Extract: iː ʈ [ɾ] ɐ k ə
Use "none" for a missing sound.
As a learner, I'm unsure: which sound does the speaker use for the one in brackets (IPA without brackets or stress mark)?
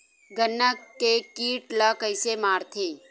l